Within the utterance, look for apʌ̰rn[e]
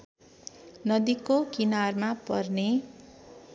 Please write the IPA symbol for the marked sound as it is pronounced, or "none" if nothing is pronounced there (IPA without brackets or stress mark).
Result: e